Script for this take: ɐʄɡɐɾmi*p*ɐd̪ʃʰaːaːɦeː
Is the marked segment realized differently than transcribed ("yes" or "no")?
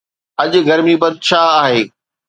yes